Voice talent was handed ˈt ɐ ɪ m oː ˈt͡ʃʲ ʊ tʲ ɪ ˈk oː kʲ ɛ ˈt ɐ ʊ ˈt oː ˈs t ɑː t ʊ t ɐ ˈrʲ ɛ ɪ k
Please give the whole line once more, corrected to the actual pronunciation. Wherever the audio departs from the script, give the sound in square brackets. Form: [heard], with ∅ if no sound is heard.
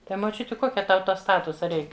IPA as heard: ˈt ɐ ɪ m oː ˈt͡ʃʲ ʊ tʲ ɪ ˈk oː kʲ ɛ ˈt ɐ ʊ ˈt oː ˈs t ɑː t ʊ [s] ɐ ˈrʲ ɛ ɪ k